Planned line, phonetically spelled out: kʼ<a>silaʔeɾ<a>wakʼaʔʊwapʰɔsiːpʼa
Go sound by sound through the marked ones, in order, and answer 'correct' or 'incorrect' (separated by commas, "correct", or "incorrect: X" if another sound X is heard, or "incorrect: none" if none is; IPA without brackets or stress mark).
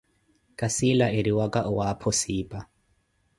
correct, incorrect: i